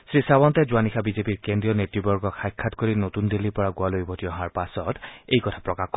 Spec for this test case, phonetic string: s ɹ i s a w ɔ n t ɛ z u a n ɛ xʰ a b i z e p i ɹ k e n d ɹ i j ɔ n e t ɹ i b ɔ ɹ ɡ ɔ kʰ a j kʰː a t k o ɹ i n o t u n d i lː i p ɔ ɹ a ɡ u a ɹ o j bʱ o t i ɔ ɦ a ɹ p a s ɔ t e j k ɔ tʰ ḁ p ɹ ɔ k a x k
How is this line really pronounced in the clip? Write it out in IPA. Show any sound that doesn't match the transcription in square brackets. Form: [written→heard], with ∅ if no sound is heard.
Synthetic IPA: s ɹ i s a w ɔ n t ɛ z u a n [ɛ→i] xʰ a b i z e p i ɹ k e n d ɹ i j ɔ n e t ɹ i b ɔ ɹ ɡ ɔ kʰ a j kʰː a t k o ɹ i n o t u n d i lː i p ɔ ɹ a ɡ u a [ɹ→l] o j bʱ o t i ɔ ɦ a ɹ p a s ɔ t e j k ɔ tʰ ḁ p ɹ ɔ k a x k